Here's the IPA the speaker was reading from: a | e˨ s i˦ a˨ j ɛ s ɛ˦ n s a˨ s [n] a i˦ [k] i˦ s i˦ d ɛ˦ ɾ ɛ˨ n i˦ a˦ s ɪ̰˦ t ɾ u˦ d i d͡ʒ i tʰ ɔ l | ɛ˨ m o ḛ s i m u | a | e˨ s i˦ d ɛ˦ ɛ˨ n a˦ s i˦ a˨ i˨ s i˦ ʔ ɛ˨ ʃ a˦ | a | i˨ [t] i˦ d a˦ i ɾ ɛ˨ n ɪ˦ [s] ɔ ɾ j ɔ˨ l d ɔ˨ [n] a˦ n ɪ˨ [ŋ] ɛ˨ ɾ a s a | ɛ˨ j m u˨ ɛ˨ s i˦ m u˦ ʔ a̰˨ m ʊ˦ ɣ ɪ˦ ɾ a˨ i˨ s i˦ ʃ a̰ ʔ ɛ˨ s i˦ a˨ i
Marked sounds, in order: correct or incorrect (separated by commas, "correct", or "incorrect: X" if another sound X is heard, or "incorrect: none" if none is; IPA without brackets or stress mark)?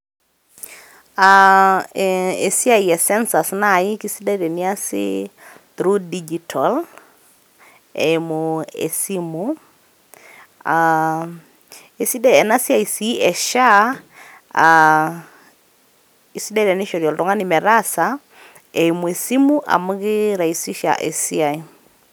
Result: correct, correct, incorrect: s, incorrect: ʃ, incorrect: ŋ, incorrect: m